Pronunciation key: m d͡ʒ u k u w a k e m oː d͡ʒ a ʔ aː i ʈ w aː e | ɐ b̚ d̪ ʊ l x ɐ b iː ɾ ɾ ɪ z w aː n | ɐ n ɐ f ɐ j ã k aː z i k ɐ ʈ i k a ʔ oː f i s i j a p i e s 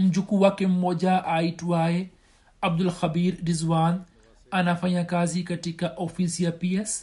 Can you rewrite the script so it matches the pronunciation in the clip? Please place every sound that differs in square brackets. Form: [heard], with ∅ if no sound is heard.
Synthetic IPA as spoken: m d͡ʒ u k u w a k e m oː d͡ʒ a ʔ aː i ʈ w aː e | ɐ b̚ d̪ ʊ l x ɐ b iː ɾ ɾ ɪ z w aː n | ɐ n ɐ f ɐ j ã k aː z i k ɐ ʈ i k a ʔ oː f i s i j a p i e s